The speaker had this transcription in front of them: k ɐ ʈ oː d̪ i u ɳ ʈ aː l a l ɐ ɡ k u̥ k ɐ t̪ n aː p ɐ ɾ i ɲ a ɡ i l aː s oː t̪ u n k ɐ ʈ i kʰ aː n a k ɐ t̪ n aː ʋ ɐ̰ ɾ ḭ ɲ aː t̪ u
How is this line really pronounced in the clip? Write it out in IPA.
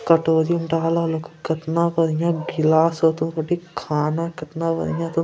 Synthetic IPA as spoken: k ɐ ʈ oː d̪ i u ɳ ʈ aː l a l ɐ k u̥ k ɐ t̪ n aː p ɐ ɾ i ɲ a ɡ i l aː s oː t̪ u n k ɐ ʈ i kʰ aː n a k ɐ t̪ n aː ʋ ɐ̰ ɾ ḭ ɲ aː t̪ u